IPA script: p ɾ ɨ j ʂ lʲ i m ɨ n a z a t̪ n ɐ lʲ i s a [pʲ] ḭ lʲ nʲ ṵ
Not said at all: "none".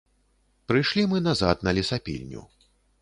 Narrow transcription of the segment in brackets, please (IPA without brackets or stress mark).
pʲ